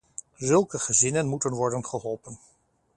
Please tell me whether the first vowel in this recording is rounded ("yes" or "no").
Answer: yes